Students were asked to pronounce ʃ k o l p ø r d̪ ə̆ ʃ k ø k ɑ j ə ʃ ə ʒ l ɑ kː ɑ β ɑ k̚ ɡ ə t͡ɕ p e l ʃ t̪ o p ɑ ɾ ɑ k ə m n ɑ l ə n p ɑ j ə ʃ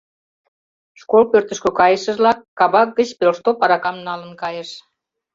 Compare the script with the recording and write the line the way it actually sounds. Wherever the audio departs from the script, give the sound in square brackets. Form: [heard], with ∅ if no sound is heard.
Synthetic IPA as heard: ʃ k o l p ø r [t̪] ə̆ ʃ k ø k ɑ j ə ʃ ə ʒ l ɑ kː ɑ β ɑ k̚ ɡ ə t͡ɕ p e l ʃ t̪ o p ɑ ɾ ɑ k [ɑ] m n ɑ l ə n [k] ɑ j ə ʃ